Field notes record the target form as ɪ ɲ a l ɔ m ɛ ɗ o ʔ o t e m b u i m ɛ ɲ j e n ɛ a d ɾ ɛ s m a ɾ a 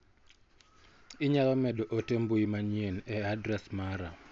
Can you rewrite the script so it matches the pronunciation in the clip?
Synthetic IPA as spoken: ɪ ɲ a l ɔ m ɛ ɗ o ʔ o t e m b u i m a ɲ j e n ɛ a d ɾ ɛ s m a ɾ a